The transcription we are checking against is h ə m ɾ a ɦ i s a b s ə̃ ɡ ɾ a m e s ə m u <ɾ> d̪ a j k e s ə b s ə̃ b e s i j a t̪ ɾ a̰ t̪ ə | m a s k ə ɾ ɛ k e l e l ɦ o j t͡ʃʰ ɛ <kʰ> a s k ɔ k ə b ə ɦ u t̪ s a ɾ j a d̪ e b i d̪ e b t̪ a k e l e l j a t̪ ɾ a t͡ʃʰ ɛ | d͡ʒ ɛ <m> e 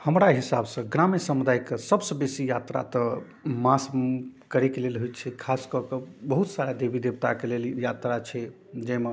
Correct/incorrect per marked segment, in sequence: incorrect: none, correct, correct

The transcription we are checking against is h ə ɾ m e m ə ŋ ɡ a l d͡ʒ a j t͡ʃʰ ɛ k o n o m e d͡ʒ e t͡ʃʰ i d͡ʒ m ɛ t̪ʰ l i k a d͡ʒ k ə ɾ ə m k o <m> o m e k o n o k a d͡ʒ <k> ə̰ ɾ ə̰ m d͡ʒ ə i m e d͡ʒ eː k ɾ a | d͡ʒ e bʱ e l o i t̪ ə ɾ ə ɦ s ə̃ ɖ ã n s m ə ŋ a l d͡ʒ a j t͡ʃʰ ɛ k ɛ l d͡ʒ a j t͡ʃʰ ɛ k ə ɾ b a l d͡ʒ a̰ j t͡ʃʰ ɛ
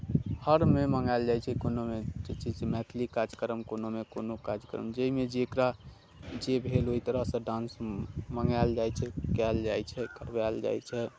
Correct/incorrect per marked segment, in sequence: incorrect: n, correct

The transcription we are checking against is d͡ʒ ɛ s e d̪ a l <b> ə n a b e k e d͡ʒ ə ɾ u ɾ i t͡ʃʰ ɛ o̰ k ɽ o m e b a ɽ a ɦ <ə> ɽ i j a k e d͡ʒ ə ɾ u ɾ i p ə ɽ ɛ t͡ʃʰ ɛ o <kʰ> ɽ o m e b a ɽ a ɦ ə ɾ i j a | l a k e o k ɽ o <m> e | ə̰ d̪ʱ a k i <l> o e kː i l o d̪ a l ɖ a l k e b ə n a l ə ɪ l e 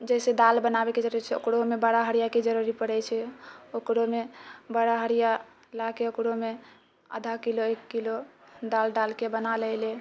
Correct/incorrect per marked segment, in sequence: correct, correct, incorrect: k, correct, correct

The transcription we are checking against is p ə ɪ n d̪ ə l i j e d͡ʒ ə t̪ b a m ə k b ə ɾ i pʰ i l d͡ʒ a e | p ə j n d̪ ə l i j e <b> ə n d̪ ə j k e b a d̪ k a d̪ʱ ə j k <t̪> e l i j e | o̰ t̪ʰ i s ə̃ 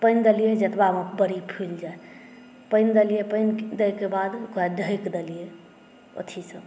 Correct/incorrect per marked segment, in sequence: incorrect: p, incorrect: d̪

